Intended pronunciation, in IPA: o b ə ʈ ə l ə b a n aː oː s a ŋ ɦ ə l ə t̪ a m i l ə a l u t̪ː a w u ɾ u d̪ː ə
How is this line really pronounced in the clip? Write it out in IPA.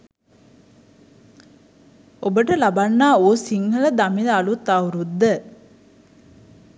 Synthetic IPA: o b ə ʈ ə l a b a nː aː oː s i ŋ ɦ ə l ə d̪ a m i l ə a l u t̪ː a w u ɾ u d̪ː ə